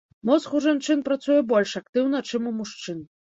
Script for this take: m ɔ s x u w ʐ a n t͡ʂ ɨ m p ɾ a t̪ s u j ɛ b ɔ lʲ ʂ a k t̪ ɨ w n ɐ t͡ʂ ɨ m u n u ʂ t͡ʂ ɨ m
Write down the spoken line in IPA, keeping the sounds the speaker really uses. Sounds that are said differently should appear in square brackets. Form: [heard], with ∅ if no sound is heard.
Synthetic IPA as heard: m ɔ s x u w ʐ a n t͡ʂ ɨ [n] p ɾ a t̪ s u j ɛ b ɔ lʲ ʂ a k t̪ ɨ w n ɐ t͡ʂ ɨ m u [m] u ʂ t͡ʂ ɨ [n]